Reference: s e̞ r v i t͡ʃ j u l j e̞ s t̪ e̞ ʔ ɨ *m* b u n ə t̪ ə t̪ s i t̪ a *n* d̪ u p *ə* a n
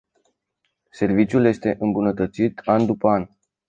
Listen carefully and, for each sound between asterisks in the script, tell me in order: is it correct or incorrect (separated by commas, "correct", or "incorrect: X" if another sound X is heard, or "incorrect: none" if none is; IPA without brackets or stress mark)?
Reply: correct, correct, correct